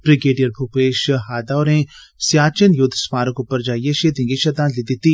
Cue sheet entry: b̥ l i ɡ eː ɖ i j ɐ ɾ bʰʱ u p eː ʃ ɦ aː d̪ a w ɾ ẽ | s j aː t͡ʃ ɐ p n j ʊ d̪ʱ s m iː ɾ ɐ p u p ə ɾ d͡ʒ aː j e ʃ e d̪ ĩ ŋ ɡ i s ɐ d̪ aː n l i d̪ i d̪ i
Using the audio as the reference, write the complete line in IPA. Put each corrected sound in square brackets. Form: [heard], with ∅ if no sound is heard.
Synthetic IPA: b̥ [ɾ] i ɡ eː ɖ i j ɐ ɾ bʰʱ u p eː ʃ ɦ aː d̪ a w ɾ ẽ | s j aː t͡ʃ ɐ [∅] n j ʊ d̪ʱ s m [aː] ɾ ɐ [k] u p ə ɾ d͡ʒ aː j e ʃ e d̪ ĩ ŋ ɡ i [ʃ] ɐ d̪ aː n l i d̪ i [t̪] i